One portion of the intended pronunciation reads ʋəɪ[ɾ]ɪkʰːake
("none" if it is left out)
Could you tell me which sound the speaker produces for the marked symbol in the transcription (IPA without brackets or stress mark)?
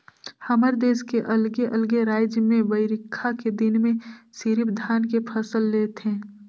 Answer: ɾ